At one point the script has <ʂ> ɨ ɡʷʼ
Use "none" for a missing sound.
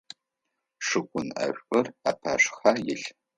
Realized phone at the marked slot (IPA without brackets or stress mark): ʂ